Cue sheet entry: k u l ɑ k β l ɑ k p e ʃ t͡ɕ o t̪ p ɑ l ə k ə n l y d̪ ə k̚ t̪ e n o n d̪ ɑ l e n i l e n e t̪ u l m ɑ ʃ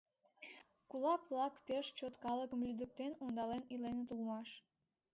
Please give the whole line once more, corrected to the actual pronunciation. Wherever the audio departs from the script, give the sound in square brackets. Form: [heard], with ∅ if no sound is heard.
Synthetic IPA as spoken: k u l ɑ k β l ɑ k p e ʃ t͡ɕ o t̪ [k] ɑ l ə k ə [m] l y d̪ ə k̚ t̪ e n o n d̪ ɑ l e n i l e n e t̪ u l m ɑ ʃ